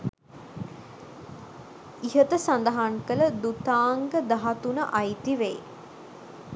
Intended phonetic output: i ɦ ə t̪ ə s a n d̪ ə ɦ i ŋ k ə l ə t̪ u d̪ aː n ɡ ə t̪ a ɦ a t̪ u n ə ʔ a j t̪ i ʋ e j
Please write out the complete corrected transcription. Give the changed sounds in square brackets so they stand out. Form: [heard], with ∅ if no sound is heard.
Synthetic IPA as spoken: i ɦ ə t̪ ə s a n d̪ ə ɦ [a] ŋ k ə l ə [d̪] u [t̪] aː [ŋ] ɡ ə [d̪] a ɦ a t̪ u n ə ʔ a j t̪ i ʋ e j